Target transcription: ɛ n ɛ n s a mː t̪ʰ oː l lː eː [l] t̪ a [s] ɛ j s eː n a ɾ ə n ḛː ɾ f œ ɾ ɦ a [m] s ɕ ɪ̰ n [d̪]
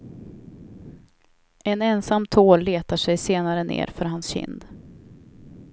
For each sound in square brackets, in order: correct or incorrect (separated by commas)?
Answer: incorrect, incorrect, incorrect, correct